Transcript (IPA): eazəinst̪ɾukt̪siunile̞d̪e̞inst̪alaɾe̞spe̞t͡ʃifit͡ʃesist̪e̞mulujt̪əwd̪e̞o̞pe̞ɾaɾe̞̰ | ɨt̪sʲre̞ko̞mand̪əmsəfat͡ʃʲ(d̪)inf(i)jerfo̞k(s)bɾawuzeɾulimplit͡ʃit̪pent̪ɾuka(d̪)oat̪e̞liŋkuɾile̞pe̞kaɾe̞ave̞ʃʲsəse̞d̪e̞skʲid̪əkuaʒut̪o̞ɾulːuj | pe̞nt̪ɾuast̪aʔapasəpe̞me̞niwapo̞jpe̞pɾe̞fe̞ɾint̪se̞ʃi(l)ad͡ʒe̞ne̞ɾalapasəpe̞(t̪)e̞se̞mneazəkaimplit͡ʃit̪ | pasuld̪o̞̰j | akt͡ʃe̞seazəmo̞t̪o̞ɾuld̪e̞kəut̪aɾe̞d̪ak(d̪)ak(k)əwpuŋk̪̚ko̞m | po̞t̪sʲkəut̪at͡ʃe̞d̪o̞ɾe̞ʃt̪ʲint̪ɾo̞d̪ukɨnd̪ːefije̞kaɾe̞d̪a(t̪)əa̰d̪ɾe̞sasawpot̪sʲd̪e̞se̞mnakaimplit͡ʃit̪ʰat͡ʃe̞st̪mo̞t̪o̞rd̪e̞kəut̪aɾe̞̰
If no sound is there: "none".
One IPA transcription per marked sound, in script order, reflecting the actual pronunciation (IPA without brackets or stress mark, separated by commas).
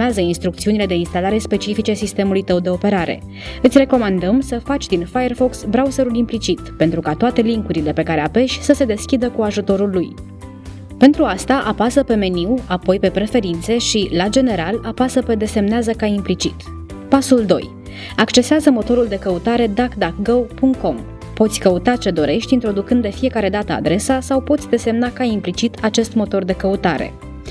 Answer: d̪, a, s, t̪, l, d̪, d̪, ɡ, t̪